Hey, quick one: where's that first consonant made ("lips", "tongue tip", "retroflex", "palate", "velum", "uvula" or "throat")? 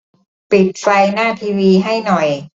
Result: lips